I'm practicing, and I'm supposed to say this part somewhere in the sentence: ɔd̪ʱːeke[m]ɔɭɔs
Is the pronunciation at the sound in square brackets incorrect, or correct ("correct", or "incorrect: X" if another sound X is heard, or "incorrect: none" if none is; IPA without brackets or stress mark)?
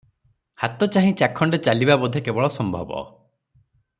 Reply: incorrect: b